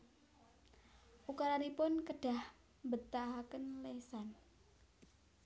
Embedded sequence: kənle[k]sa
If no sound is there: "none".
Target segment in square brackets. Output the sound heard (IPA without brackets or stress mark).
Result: none